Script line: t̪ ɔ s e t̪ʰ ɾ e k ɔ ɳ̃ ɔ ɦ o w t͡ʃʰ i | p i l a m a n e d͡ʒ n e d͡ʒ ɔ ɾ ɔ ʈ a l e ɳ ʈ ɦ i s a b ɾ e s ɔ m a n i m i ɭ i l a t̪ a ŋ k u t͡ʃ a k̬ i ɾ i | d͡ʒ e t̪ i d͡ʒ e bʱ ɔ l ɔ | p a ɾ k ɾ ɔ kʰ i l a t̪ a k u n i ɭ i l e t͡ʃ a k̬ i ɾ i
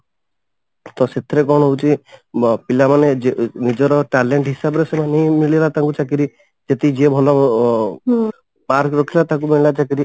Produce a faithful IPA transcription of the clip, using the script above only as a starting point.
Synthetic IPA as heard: t̪ ɔ s e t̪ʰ ɾ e k ɔ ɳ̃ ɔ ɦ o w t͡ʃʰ i | p i l a m a n e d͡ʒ n i d͡ʒ ɔ ɾ ɔ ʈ a l e ɳ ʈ ɦ i s a b ɾ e s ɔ m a n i m i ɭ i l a t̪ a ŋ k u t͡ʃ a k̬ i ɾ i | d͡ʒ e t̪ i d͡ʒ e bʱ ɔ l ɔ | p a ɾ k ɾ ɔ kʰ i l a t̪ a k u m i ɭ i l a t͡ʃ a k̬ i ɾ i